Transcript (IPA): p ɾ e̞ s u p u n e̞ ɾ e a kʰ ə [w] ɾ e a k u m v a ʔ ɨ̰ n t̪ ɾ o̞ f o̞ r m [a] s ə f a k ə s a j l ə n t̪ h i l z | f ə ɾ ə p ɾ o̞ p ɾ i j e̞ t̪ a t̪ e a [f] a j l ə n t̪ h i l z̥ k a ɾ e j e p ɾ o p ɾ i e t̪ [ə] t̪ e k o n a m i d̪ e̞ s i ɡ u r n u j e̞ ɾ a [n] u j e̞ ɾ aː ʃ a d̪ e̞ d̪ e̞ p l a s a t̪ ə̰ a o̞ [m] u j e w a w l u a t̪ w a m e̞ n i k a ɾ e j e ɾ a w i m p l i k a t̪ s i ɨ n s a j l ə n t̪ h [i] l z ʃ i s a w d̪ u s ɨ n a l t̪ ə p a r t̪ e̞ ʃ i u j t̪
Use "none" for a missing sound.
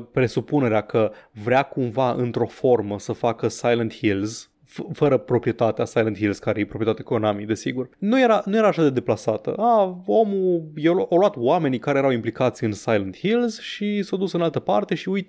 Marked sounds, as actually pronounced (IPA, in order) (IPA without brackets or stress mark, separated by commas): v, ə, s, a, n, m, i